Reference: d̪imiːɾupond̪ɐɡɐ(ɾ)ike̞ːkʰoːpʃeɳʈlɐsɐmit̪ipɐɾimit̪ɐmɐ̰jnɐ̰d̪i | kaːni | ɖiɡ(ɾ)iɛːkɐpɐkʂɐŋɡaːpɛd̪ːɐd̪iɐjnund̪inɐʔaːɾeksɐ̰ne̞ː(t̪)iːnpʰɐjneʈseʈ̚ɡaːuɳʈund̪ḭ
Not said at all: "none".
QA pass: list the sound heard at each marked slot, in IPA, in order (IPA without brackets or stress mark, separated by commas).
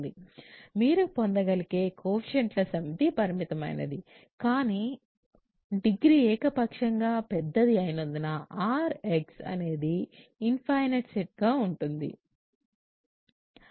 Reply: l, ɾ, d̪